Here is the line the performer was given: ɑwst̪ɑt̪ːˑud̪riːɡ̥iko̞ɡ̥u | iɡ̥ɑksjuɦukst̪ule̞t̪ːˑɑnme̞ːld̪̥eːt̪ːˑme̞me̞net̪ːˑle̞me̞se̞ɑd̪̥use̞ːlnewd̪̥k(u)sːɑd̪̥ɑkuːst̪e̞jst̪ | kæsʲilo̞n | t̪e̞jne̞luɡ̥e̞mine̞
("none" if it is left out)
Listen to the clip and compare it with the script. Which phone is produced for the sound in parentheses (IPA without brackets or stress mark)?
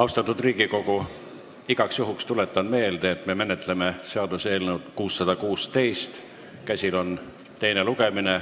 uː